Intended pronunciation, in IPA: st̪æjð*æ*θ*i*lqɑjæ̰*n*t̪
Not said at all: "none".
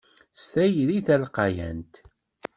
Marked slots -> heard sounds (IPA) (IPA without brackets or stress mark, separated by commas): i, æ, n